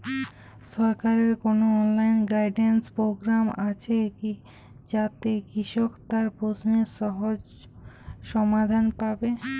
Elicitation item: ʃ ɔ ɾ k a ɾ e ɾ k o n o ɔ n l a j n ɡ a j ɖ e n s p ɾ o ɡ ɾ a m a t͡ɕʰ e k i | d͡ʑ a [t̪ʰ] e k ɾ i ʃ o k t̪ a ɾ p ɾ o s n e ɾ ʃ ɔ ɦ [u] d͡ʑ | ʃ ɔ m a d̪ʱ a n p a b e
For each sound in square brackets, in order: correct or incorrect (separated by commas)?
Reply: incorrect, incorrect